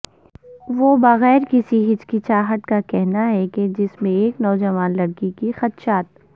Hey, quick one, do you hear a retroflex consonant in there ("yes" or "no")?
yes